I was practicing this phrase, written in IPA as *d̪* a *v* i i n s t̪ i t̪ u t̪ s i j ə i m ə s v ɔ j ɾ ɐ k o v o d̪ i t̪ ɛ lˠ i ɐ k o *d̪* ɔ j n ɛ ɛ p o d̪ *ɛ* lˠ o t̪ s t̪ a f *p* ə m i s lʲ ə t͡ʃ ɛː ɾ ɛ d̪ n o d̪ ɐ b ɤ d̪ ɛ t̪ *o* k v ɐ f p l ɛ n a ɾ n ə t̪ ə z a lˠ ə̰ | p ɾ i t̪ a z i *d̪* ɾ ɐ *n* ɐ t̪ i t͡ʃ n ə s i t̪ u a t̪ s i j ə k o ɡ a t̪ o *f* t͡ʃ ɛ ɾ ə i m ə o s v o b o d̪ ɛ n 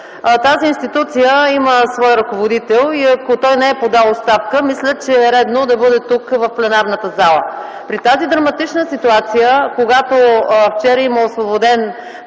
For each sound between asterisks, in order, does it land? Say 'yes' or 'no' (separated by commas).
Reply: no, no, no, no, no, no, yes, no, yes